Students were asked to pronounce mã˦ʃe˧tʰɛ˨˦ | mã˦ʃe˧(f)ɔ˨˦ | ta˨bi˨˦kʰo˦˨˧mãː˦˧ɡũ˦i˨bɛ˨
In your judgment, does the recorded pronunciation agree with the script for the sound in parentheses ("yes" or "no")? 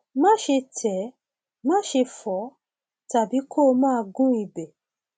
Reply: yes